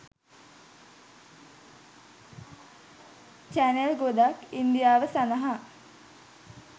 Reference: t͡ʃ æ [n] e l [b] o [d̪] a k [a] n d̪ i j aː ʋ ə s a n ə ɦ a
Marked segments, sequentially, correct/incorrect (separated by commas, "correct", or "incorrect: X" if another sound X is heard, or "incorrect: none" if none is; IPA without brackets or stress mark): correct, incorrect: ɡ, correct, incorrect: i